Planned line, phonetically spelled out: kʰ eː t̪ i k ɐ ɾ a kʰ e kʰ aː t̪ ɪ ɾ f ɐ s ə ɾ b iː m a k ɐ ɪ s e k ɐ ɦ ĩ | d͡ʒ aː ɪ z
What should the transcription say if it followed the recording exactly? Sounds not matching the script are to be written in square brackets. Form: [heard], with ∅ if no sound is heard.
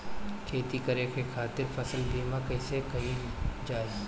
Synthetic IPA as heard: kʰ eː t̪ i k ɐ ɾ [e] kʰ e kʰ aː t̪ ɪ ɾ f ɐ s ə [l] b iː m a k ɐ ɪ s e k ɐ ɦ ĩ | d͡ʒ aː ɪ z